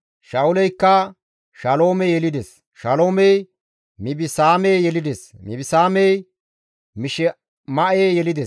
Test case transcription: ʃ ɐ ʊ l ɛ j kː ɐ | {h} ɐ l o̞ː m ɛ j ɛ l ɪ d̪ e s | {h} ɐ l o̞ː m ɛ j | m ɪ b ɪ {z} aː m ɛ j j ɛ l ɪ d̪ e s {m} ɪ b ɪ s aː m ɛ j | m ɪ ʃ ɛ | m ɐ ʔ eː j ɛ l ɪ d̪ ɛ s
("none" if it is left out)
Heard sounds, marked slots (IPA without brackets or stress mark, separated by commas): ʃ, ʃ, s, m